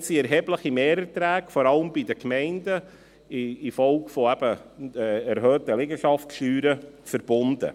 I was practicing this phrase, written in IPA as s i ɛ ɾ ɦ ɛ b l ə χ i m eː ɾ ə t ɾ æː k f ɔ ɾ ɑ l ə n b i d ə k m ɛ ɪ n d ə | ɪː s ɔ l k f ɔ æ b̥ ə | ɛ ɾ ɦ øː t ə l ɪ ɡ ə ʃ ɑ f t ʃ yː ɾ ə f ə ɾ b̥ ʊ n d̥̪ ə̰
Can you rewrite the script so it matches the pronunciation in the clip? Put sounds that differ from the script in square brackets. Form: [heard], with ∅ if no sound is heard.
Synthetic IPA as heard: s i ɛ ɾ ɦ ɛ b l ə χ i m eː ɾ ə t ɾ æː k f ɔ ɾ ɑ l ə [m] b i d ə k m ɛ ɪ n d ə | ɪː [f] ɔ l k f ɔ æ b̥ ə | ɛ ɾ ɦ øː t ə l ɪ ɡ ə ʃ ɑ f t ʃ yː ɾ ə f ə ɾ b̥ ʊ n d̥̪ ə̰